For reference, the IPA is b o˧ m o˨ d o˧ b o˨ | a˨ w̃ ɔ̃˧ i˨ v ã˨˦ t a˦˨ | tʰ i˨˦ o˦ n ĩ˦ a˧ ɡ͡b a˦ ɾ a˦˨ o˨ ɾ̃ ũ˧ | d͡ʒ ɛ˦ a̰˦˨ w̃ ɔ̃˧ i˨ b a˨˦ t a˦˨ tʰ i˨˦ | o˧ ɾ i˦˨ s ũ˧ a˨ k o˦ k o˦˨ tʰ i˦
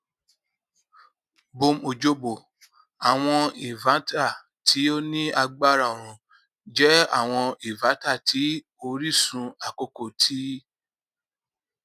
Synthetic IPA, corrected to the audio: b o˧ m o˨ d͡ʒ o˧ b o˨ | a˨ w̃ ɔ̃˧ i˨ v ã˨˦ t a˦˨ | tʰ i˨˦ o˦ n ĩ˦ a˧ ɡ͡b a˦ ɾ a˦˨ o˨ ɾ̃ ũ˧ | d͡ʒ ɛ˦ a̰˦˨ w̃ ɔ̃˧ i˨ v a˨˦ t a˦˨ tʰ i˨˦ | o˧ ɾ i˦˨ s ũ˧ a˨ k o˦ k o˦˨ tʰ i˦